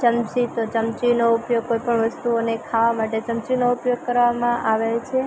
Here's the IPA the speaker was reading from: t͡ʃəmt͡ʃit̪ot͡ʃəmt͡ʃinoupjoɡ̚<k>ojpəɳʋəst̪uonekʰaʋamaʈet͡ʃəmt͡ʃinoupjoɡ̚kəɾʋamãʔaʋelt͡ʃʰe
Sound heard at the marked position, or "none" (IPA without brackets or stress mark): k